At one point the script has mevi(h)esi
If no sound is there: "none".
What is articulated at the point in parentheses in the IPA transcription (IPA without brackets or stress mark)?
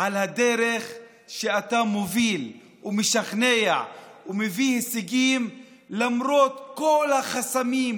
h